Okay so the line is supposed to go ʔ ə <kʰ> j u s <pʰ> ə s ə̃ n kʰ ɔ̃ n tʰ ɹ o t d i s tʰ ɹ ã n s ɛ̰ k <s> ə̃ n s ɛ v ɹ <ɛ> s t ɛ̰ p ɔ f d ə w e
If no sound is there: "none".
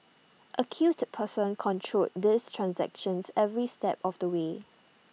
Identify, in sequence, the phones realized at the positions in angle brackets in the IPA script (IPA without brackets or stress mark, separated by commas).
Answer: kʰ, pʰ, ʃ, i